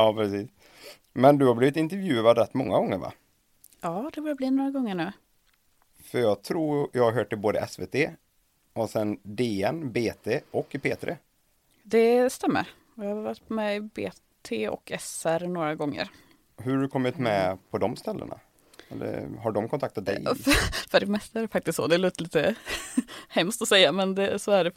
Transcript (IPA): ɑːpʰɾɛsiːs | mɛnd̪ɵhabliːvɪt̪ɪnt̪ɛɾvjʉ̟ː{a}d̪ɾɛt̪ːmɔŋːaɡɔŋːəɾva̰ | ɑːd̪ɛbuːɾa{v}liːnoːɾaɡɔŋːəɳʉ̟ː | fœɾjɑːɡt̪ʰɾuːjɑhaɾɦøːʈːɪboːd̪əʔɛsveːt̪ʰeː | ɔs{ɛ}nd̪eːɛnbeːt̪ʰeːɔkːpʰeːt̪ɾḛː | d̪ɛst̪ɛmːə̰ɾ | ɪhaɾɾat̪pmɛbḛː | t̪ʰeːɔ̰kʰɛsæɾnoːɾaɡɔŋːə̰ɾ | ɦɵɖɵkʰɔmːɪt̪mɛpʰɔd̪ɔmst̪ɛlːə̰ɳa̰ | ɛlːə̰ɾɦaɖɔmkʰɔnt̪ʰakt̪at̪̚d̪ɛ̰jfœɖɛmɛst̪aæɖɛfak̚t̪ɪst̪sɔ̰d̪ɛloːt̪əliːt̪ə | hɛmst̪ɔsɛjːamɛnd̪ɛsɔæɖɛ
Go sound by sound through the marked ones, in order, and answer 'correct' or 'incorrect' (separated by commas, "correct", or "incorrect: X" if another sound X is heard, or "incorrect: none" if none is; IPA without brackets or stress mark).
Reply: correct, incorrect: b, correct